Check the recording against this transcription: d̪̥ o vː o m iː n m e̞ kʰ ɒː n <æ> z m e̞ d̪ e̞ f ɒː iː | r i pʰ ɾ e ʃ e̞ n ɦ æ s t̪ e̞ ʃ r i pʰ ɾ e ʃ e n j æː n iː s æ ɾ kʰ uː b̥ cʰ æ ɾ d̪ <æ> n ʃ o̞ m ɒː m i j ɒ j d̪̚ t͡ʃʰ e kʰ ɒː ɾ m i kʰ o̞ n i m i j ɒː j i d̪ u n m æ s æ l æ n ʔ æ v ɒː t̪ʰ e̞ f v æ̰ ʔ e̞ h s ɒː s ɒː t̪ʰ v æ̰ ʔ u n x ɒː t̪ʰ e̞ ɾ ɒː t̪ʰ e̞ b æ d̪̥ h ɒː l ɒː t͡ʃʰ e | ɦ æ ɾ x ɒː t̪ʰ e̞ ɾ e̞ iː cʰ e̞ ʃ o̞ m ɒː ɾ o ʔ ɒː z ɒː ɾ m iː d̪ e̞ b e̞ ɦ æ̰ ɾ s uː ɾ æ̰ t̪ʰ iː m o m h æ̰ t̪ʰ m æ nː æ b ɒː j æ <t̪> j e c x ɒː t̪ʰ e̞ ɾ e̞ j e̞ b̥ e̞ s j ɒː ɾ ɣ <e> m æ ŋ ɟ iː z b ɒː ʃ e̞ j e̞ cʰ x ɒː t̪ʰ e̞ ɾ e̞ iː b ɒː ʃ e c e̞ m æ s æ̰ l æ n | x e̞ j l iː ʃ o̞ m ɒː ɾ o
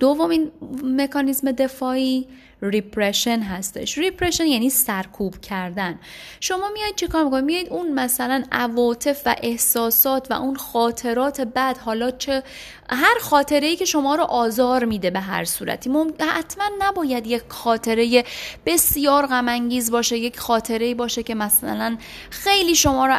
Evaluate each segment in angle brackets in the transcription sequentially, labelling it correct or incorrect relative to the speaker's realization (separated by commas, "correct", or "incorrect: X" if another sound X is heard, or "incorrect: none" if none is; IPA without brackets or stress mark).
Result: incorrect: i, correct, incorrect: d̪, incorrect: æ